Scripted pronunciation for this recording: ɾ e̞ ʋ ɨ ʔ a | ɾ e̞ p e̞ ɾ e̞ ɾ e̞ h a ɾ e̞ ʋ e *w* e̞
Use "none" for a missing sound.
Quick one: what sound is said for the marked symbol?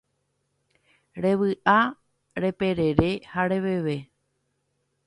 ʋ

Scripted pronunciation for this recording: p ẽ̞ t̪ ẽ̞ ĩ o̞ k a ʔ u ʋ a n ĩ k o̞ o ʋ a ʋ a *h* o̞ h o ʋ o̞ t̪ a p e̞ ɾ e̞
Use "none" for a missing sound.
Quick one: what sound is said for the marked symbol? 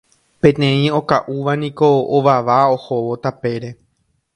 none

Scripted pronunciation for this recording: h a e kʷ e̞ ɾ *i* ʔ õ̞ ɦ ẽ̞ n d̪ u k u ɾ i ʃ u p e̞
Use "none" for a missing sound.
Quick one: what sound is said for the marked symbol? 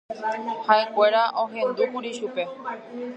a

